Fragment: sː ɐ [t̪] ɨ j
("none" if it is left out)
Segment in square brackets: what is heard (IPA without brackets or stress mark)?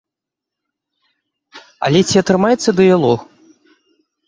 d̪